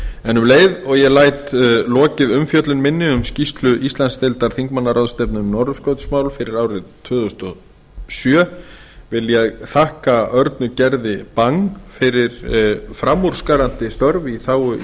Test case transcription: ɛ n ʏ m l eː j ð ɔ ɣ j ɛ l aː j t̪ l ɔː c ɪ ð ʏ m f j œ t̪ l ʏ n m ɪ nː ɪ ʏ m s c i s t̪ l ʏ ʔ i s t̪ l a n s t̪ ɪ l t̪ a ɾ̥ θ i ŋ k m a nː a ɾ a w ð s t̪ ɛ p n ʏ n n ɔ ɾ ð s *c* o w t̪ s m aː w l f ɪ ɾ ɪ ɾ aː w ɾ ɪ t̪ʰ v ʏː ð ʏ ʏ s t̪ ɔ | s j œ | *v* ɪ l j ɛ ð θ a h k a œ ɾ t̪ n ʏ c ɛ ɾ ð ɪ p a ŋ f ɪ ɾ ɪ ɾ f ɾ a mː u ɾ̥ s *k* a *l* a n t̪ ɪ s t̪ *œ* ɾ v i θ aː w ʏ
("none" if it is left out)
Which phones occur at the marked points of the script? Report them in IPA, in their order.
k, v, k, ɾ, œ

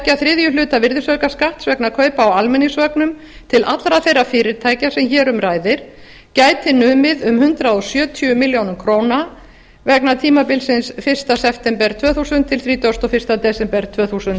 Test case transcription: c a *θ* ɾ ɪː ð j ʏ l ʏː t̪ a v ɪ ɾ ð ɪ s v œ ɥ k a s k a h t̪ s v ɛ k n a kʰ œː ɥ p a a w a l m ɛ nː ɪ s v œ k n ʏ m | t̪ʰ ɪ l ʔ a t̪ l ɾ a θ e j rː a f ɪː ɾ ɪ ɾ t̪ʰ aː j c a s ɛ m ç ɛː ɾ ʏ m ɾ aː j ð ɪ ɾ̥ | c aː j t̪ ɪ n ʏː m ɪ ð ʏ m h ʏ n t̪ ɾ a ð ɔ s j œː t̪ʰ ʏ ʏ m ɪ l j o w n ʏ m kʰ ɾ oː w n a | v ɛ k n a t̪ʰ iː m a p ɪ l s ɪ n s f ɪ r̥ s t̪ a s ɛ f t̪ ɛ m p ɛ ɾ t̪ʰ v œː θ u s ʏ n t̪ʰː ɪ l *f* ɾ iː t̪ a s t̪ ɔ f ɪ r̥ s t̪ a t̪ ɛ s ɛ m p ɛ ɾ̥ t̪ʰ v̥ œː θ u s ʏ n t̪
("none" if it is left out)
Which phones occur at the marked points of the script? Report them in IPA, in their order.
θ, θ

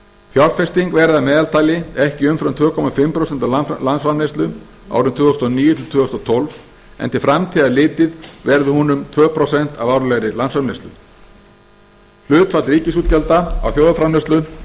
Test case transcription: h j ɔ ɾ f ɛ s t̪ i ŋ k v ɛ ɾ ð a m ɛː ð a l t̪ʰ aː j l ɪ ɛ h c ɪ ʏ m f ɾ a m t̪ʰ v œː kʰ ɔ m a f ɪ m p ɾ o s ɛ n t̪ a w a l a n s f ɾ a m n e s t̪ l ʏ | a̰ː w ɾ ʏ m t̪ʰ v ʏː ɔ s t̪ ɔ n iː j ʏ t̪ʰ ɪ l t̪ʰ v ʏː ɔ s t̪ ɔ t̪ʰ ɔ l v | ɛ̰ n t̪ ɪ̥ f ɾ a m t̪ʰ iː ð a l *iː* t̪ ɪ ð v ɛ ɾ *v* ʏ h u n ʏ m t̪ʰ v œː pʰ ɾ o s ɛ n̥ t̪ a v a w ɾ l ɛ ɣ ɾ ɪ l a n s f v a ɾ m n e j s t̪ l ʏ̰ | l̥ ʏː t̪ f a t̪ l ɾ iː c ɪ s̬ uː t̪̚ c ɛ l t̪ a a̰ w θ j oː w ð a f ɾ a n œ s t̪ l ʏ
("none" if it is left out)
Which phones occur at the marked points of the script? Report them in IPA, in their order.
ɪː, ð

